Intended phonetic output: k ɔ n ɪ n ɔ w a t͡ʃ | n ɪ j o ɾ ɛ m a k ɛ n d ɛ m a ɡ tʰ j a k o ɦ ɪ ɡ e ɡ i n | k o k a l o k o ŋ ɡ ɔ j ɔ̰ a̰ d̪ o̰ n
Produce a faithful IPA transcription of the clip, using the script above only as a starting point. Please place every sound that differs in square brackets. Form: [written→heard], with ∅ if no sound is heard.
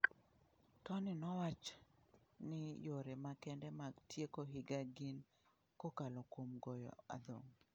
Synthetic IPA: [k→t] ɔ n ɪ n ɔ w a t͡ʃ | n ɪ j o ɾ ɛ m a k ɛ n d ɛ m a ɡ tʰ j [a→e] k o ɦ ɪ ɡ [e→a] ɡ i n | k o k a l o k o [ŋ→m] ɡ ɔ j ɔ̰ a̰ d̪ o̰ [n→ŋ]